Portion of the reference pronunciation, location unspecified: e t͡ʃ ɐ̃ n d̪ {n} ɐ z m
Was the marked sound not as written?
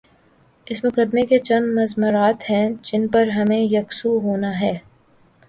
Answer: yes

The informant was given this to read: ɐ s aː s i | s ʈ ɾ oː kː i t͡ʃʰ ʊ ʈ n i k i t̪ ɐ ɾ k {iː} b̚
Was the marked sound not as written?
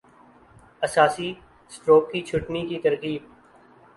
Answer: no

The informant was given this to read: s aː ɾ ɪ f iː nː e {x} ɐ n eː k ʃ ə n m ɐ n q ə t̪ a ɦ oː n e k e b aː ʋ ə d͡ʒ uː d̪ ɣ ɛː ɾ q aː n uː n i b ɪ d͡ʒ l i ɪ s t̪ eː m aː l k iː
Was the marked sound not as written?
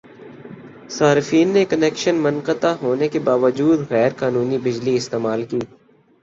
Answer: yes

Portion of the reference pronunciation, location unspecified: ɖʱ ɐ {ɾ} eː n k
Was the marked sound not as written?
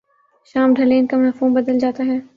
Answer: yes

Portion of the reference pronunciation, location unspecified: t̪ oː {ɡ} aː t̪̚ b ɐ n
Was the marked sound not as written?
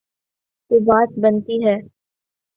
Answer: yes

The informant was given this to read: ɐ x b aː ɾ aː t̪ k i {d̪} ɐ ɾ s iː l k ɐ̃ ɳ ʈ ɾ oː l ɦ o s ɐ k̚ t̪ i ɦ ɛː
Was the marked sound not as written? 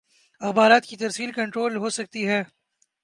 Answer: yes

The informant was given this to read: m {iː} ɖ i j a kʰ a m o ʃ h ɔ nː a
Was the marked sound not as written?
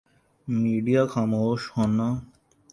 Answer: yes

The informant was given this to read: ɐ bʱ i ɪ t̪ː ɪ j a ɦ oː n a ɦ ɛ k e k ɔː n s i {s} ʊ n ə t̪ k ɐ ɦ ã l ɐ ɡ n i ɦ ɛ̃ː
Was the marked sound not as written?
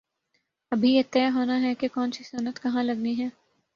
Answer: no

